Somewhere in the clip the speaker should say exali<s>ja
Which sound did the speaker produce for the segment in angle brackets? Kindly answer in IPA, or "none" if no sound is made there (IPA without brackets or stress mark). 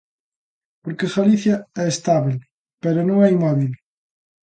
θ